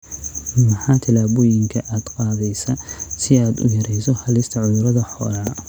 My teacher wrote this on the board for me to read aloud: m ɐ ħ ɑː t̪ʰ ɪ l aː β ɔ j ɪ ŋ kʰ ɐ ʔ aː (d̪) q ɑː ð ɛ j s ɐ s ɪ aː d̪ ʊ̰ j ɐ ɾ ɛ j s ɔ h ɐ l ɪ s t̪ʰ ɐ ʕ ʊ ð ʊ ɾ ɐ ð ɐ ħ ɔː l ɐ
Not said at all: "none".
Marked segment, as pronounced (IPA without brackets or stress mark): d̪